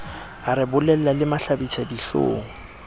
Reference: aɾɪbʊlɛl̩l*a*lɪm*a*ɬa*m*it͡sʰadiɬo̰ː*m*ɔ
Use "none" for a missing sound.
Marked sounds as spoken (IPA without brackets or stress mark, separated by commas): a, a, b, ŋ